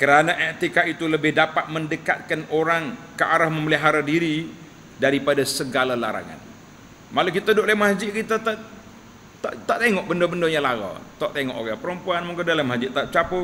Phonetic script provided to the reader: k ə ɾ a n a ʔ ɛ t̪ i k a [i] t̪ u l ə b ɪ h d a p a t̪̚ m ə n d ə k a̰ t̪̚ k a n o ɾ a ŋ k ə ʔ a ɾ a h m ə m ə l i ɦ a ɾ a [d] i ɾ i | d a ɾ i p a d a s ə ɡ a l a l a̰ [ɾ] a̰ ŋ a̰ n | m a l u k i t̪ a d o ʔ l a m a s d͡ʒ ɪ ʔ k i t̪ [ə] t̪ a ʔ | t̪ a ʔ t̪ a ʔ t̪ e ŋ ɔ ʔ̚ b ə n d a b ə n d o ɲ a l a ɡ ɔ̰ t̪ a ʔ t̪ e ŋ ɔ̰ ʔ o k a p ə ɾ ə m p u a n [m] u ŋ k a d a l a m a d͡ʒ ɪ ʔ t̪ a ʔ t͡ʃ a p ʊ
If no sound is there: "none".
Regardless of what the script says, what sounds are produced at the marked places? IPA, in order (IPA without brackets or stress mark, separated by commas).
i, d, ɾ, a, m